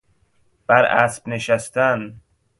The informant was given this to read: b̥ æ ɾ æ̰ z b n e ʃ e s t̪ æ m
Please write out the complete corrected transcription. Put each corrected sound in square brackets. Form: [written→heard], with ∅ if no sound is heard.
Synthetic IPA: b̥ æ ɾ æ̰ [z→s] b n e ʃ [e→æ] s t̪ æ [m→n]

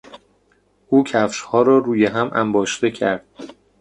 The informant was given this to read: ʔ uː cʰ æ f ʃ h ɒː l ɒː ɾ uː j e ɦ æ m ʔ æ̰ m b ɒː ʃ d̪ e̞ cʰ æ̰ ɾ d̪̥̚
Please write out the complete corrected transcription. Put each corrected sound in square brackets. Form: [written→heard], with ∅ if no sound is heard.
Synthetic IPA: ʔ uː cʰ æ f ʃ h ɒː [l→ɾ] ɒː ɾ uː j e ɦ æ m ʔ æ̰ m b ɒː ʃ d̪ e̞ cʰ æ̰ ɾ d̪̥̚

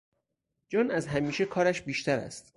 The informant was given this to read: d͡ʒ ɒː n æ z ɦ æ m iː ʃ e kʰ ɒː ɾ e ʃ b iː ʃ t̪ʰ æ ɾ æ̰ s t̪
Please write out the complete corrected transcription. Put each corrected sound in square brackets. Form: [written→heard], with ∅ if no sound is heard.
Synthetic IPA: d͡ʒ ɒː n æ z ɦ æ m iː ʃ e kʰ ɒː ɾ [e→æ] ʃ b iː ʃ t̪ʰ æ ɾ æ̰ s t̪

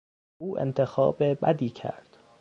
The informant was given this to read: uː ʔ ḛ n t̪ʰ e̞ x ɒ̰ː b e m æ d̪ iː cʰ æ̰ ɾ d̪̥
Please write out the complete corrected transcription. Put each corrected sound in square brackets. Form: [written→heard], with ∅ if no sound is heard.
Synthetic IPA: uː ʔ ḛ n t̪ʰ e̞ x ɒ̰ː b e [m→b] æ d̪ iː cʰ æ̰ ɾ d̪̥

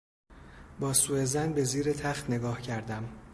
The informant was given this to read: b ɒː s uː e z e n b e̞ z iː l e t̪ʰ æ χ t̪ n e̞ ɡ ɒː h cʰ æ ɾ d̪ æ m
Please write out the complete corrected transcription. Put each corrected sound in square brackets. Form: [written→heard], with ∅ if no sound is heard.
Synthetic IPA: b ɒː s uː e z [e→æ] n b e̞ z iː [l→ɾ] e t̪ʰ æ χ t̪ n e̞ ɡ ɒː h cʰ æ ɾ d̪ æ m

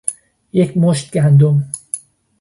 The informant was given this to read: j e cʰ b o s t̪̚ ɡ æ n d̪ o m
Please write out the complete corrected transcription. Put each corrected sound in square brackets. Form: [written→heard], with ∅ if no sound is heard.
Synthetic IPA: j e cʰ [b→m] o [s→ʃ] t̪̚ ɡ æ n d̪ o m

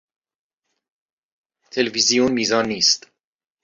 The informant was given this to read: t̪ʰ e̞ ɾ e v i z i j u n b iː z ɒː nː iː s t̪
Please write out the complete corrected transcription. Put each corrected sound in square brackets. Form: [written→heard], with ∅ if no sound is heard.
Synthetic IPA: t̪ʰ e̞ [ɾ→l] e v i z i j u n [b→m] iː z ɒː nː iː s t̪

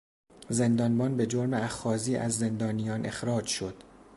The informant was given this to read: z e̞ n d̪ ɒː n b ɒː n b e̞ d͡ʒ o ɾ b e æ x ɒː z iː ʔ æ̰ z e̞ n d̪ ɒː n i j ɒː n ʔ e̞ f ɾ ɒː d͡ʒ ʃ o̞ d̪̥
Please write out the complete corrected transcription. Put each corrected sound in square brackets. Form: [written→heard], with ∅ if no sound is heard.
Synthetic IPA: z e̞ n d̪ ɒː n b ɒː n b e̞ d͡ʒ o ɾ [b→m] e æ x ɒː z iː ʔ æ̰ [z→zː] e̞ n d̪ ɒː n i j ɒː n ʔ e̞ [f→x] ɾ ɒː d͡ʒ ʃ o̞ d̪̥

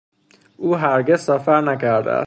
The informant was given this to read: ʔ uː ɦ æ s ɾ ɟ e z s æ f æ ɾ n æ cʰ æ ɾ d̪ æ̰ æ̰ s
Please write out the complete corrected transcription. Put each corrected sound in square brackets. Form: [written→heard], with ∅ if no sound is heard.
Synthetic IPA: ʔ uː ɦ æ [s→∅] ɾ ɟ e z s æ f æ ɾ n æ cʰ æ ɾ d̪ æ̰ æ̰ s

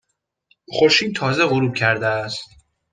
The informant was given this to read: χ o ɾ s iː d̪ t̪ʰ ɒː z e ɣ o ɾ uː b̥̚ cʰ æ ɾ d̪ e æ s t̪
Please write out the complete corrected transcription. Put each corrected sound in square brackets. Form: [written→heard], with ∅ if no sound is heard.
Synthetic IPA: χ o ɾ [s→ʃ] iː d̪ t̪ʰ ɒː z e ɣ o ɾ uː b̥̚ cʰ æ ɾ d̪ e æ s t̪

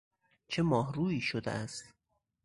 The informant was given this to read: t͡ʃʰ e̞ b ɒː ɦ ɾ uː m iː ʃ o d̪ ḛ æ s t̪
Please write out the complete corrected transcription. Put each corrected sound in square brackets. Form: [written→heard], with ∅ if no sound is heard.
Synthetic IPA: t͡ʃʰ e̞ [b→m] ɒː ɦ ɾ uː [m→∅] iː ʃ o d̪ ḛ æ s t̪

